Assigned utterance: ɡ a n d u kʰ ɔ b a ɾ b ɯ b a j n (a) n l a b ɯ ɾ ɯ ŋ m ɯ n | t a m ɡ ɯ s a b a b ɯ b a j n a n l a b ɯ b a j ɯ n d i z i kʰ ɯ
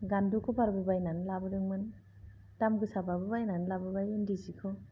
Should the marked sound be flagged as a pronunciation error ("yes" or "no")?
no